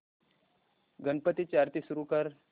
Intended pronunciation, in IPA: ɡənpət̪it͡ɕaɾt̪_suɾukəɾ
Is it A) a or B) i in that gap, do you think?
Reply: B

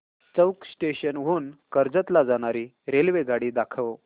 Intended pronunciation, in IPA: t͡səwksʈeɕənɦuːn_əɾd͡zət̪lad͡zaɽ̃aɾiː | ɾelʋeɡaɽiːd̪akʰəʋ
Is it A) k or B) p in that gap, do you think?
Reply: A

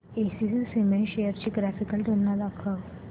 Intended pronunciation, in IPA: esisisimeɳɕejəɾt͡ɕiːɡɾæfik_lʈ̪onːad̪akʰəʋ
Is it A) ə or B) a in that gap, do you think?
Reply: A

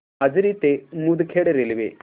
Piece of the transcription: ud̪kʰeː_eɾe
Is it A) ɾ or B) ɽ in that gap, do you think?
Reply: B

